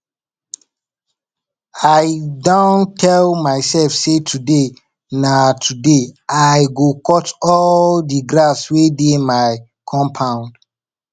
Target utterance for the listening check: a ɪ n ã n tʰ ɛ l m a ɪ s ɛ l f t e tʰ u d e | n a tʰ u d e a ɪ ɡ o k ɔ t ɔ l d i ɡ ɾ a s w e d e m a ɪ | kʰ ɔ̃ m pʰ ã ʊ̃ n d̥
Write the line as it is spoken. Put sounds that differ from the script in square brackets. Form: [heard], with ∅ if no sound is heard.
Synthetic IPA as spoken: a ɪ [d] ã n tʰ ɛ l m a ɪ s ɛ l f [s] e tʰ u d e | n a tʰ u d e a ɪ ɡ o k ɔ t ɔ l d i ɡ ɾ a s w e d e m a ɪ | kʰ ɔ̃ m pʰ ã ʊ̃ n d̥